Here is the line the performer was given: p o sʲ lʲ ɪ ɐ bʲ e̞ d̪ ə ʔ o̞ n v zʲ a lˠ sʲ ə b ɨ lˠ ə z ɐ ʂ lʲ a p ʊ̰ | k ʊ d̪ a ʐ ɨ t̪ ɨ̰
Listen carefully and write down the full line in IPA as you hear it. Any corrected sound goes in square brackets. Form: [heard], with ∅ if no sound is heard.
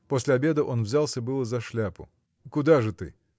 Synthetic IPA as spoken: p o sʲ lʲ ɪ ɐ bʲ e̞ d̪ ə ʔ o̞ n v zʲ a lˠ sʲ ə b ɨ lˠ ə z ɐ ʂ lʲ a p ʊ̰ | k ʊ d̪ a ʐ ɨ t̪ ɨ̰